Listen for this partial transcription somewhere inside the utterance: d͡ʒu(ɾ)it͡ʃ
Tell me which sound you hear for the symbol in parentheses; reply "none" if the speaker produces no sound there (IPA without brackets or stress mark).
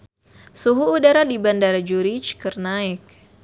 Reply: ɾ